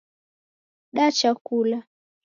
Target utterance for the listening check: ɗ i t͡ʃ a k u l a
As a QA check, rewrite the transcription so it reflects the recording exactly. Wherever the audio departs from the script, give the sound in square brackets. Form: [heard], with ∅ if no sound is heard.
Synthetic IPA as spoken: ɗ [a] t͡ʃ a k u l a